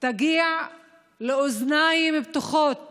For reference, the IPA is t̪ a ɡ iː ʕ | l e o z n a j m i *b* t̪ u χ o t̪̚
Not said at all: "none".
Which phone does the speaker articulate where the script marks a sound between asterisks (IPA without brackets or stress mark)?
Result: b